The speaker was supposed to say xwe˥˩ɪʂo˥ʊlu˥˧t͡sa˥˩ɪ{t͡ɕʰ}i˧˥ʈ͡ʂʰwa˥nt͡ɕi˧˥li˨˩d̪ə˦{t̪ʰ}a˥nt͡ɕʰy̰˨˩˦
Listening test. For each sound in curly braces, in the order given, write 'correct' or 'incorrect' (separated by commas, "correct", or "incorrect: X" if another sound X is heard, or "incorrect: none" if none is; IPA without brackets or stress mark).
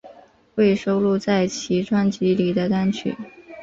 correct, incorrect: t̪